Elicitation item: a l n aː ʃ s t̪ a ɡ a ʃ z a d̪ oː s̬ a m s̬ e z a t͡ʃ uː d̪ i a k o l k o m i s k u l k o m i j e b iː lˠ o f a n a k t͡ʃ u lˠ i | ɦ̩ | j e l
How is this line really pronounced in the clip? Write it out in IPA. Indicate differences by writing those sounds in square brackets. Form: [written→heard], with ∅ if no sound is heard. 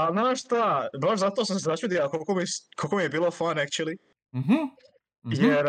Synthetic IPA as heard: a l n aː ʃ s t̪ a [ɡ→b] a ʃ z a [d̪→t̪] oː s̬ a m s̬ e z a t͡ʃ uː d̪ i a k o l k o m i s k [u→o] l k o m i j e b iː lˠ o f a n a k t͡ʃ u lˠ i | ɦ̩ | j e [l→ɾ]